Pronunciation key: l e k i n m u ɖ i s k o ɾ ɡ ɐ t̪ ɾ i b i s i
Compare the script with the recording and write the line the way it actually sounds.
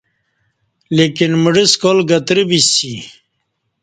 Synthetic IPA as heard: l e k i n m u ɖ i s k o l ɡ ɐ t̪ ɾ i b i s i